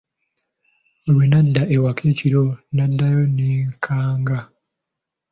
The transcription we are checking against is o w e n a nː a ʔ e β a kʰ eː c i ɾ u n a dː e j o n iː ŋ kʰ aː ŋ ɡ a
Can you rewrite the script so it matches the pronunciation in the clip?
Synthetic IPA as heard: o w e n a dː a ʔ e w a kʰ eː c i ɾ o n a dː a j o n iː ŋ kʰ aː ŋ ɡ a